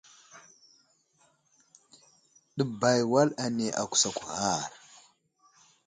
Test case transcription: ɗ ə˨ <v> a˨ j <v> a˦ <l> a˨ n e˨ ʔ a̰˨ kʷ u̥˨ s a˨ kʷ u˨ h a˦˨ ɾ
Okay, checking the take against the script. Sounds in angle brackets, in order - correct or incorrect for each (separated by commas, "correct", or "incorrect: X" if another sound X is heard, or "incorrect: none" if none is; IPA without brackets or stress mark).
incorrect: b, incorrect: w, correct